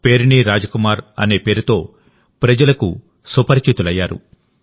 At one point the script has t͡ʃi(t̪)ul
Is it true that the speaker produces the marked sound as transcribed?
yes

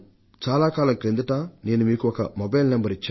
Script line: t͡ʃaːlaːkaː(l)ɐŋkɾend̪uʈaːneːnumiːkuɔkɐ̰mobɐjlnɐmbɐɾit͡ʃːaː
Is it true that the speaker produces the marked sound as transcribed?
yes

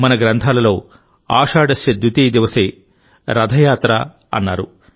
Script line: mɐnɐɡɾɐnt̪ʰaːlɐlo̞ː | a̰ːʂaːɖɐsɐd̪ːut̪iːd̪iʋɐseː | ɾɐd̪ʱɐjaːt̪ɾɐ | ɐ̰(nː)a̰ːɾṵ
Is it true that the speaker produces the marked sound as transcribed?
yes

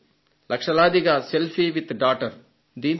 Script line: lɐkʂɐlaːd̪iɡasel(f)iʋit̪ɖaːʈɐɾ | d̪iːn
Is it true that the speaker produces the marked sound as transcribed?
yes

